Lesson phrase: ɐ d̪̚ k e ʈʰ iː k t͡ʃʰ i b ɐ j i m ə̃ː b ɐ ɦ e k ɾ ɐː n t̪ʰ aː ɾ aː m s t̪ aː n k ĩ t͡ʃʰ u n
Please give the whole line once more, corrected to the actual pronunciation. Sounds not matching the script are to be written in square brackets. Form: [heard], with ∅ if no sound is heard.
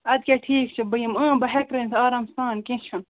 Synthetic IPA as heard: ɐ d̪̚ k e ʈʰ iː k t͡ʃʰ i b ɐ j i m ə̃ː b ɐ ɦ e k ɾ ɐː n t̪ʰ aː ɾ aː m s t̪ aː n k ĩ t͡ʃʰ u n

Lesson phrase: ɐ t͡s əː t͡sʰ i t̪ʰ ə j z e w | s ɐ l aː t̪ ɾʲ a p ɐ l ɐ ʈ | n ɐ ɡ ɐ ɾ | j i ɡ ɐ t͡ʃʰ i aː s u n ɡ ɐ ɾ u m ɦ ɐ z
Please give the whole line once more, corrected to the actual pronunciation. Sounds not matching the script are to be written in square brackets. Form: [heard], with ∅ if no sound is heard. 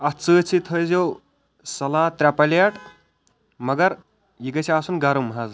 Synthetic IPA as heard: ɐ t͡s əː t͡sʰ i t̪ʰ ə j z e w | s ɐ l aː t̪ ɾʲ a p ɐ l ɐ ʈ | [m] ɐ ɡ ɐ ɾ | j i ɡ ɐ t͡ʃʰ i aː s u n ɡ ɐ ɾ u m ɦ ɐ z

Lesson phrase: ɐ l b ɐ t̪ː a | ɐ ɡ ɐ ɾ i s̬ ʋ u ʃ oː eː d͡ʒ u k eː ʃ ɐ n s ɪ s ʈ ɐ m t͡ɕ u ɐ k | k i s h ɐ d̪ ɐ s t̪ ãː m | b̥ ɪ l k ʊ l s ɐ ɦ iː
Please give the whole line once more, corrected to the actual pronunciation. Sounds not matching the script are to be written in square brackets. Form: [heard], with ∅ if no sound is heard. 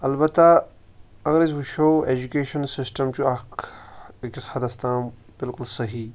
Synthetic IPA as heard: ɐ l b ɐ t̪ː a | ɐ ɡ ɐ ɾ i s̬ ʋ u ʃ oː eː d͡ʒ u k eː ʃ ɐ n s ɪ s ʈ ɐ m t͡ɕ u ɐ k | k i s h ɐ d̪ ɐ s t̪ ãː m | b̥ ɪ l k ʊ l s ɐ ɦ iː

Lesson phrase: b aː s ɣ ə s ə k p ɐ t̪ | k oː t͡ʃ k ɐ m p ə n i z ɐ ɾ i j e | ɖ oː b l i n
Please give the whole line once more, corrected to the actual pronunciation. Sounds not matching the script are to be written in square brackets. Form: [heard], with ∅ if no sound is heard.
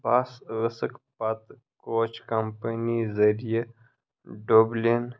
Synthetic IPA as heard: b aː s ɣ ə s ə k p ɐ t̪ | k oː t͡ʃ k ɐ m p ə n i z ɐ ɾ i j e | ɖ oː b l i n

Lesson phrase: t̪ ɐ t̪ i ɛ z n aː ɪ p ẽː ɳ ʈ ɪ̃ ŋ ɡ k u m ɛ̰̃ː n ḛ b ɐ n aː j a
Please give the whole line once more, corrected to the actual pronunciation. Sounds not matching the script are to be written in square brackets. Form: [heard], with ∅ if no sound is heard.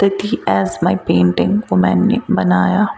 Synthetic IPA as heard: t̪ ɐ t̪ i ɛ z [m] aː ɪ p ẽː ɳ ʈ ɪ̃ ŋ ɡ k [o] m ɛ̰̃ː n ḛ b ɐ n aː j a

